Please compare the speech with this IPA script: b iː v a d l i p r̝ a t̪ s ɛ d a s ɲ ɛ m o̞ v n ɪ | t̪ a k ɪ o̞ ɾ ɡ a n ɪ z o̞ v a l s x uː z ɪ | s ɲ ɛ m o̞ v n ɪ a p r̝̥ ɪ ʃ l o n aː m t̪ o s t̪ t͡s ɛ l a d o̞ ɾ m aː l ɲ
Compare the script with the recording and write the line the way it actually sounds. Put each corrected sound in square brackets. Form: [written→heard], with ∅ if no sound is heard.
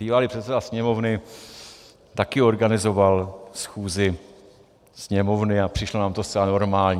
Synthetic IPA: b iː v a [d→∅] l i p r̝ [a→ɛ] t̪ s ɛ d a s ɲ ɛ m o̞ v n ɪ | t̪ a k ɪ o̞ ɾ ɡ a n ɪ z o̞ v a l s x uː z ɪ | s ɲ ɛ m o̞ v n ɪ a p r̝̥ ɪ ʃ l o n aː m t̪ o s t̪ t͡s ɛ l a [d→n] o̞ ɾ m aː l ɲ